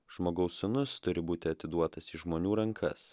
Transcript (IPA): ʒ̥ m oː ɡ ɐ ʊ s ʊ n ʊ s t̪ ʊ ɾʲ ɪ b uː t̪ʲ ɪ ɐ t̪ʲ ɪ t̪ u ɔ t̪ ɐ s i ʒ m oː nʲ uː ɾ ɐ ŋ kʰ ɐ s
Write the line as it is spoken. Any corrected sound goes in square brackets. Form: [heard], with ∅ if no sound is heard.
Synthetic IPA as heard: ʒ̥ m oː ɡ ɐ ʊ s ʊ n ʊ s t̪ ʊ ɾʲ ɪ b uː t̪ʲ ɪ ɐ t̪ʲ ɪ [d̪] u ɔ t̪ ɐ s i ʒ m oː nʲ uː ɾ ɐ ŋ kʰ ɐ s